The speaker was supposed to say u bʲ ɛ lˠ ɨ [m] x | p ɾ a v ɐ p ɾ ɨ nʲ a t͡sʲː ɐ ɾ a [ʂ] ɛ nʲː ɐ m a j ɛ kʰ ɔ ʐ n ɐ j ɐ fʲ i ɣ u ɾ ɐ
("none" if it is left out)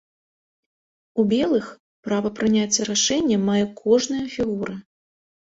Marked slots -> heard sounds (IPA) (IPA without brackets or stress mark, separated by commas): none, ʂ